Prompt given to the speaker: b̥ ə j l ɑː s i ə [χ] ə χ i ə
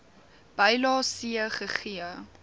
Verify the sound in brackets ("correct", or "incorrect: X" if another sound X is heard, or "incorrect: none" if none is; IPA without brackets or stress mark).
correct